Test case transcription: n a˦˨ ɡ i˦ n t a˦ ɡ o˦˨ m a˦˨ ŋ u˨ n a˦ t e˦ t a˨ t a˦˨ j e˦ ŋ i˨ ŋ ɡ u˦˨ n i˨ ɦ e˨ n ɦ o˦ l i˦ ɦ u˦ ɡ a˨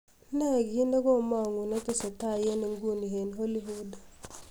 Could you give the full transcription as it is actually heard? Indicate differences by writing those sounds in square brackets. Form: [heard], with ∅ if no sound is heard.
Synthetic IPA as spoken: n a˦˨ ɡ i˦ n [d] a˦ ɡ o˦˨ m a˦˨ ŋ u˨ n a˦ t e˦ [s] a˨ t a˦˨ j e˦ [n] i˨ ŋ ɡ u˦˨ n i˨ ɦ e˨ n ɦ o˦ l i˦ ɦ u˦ [d] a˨